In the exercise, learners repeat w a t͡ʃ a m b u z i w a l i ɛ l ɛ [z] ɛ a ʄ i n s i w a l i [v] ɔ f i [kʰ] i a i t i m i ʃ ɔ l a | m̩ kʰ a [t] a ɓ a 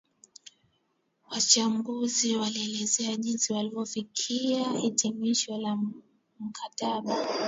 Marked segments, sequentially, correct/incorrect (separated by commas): correct, correct, correct, correct